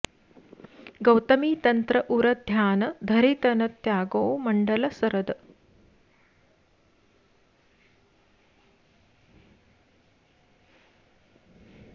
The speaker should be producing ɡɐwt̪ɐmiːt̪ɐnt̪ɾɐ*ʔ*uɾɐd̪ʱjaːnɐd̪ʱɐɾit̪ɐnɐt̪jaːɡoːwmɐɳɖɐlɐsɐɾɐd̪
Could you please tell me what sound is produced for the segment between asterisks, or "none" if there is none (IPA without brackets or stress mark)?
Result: ʔ